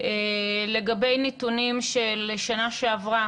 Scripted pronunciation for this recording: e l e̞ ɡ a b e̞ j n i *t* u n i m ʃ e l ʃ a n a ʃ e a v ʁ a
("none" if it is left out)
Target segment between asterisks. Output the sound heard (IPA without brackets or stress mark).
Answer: t